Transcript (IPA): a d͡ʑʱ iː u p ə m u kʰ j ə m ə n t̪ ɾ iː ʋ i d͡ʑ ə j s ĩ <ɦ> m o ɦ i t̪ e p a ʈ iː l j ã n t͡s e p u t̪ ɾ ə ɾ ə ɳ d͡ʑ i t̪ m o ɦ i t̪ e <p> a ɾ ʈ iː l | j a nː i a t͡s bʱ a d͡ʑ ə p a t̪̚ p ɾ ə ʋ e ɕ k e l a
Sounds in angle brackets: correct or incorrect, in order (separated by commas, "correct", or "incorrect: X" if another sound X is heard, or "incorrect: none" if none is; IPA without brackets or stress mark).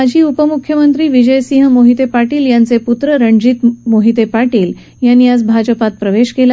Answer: correct, correct